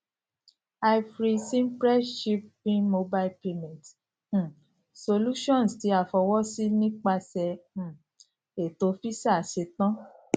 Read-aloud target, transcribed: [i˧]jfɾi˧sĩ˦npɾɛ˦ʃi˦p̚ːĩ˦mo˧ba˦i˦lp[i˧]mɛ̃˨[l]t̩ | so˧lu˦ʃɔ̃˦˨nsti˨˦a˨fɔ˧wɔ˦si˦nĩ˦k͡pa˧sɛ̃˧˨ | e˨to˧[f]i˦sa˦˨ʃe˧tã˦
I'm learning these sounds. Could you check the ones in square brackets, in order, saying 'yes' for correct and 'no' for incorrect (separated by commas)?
no, no, no, yes